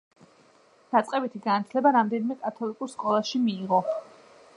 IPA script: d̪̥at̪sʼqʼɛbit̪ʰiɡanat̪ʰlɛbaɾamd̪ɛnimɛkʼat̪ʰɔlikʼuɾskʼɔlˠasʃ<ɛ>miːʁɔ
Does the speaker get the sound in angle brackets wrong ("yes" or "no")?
yes